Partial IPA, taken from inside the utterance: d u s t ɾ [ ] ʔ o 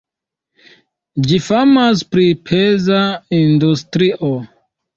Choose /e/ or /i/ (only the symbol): i